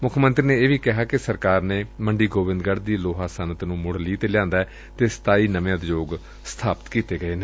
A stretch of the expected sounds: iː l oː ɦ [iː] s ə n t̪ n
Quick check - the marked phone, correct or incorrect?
incorrect: aː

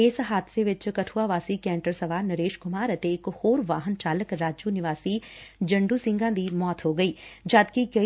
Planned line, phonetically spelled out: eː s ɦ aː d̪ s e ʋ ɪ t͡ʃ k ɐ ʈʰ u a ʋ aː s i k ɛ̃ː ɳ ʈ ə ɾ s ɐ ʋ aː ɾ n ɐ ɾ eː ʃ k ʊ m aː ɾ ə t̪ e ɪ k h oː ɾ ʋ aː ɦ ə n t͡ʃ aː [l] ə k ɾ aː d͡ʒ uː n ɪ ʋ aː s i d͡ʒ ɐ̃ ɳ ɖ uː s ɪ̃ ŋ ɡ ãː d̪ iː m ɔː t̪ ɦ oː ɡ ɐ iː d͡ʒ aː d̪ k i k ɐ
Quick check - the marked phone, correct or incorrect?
correct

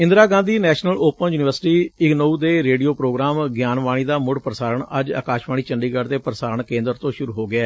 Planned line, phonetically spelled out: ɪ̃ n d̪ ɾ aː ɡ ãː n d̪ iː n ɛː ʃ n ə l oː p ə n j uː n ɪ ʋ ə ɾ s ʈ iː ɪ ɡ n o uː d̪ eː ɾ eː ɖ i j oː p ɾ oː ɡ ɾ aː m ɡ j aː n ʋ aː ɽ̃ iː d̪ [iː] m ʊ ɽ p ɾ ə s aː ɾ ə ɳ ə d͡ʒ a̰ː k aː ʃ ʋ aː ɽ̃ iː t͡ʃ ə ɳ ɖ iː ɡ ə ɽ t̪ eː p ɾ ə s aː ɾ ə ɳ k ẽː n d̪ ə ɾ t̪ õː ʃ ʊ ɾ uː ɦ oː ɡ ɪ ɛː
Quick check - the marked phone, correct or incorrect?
incorrect: aː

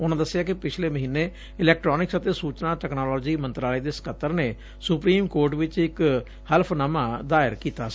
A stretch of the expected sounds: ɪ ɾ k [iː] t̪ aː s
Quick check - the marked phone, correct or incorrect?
correct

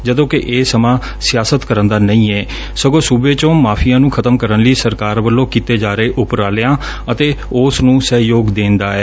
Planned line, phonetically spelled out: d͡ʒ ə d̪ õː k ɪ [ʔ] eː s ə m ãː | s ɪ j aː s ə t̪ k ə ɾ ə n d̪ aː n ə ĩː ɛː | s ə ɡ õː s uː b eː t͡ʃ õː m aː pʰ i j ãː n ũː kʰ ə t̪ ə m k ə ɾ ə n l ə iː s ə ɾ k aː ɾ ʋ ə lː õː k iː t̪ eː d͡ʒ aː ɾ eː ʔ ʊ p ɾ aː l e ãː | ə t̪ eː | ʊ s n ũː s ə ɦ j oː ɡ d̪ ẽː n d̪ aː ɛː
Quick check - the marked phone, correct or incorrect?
correct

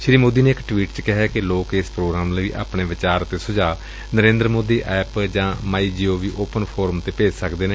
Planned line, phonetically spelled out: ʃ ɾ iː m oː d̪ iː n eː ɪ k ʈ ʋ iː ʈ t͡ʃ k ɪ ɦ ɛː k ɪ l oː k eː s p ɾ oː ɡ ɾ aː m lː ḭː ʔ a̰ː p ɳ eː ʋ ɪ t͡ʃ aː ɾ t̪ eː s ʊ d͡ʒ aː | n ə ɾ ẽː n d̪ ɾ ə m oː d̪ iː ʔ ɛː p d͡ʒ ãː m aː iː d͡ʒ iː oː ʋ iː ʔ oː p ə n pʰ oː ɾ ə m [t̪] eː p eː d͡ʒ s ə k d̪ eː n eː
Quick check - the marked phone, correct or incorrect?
correct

